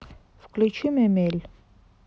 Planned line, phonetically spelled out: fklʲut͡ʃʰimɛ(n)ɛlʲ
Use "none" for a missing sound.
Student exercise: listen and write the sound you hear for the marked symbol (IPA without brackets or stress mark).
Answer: m